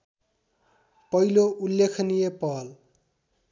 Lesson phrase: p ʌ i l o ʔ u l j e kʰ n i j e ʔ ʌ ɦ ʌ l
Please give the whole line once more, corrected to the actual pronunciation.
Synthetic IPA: p ʌ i l o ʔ u l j e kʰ n i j e p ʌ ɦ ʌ l